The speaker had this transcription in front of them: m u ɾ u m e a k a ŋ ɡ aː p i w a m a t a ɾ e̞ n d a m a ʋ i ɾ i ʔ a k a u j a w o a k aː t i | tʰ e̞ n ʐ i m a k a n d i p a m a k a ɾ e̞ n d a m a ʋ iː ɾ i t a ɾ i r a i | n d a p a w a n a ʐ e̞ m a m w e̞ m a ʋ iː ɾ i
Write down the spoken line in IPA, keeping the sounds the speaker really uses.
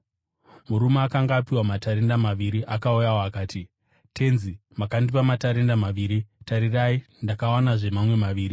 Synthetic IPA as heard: m u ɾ u m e a k a ŋ ɡ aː p i w a m a t a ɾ e̞ n d a m a ʋ i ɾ i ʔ a k a u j a w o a k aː t i | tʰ e̞ n z i m a k a n d i p a m a t a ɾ e̞ n d a m a ʋ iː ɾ i t a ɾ i r a i | n d a k a w a n a ʐ e̞ m a m w e̞ m a ʋ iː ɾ i